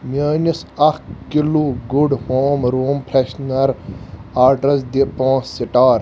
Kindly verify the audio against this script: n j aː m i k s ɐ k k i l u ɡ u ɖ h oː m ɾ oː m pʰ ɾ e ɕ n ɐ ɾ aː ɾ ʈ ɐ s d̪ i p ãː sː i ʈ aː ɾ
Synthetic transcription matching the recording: m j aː n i s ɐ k k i l u ɡ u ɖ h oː m ɾ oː m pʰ ɾ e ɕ n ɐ ɾ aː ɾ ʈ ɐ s d̪ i p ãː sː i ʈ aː ɾ